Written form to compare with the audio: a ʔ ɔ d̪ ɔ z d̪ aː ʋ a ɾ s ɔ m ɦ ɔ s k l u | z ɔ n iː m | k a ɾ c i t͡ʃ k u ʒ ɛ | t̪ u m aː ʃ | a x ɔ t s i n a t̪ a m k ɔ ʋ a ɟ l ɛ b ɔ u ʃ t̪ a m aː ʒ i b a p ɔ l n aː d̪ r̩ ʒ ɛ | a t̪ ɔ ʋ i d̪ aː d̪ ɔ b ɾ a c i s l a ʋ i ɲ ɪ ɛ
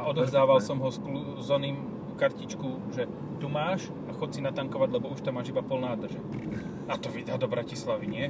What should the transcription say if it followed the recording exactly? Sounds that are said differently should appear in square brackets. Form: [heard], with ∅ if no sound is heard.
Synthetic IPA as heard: a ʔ ɔ d̪ ɔ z d̪ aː ʋ a [l] s ɔ m ɦ ɔ s k l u | z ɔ n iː m | k a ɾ c i t͡ʃ k u ʒ ɛ | t̪ u m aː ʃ | a x ɔ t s i n a t̪ a [ŋ] k ɔ ʋ a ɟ l ɛ b ɔ u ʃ t̪ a m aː ʒ i b a p ɔ l n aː d̪ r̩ ʒ ɛ | a t̪ ɔ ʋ i d̪ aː d̪ ɔ b ɾ a c i s l a ʋ i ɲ ɪ ɛ